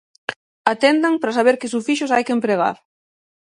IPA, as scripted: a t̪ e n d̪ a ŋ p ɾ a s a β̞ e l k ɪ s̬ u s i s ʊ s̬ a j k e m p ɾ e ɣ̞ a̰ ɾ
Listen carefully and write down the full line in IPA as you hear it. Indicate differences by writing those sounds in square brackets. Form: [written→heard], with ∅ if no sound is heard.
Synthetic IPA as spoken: a t̪ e n d̪ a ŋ p ɾ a s a β̞ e [l→ɾ] k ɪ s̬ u [s→f] i [s→ʃ] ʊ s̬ a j k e m p ɾ e ɣ̞ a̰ ɾ